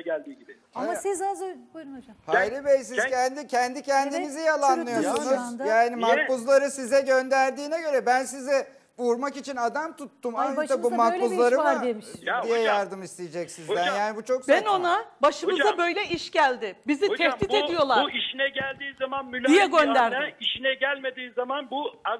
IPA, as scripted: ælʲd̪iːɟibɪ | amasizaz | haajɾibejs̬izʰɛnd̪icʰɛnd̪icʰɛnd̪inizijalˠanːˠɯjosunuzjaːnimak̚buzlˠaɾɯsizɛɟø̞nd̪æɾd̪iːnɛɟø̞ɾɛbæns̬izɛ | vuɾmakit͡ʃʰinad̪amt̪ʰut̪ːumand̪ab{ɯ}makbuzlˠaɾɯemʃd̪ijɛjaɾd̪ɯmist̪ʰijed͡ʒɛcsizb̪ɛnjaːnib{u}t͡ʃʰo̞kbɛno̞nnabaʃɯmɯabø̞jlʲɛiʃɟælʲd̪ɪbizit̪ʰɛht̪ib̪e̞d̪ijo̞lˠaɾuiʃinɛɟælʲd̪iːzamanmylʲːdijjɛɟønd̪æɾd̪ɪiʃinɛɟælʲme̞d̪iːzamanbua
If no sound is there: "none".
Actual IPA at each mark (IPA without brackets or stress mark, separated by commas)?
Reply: u, u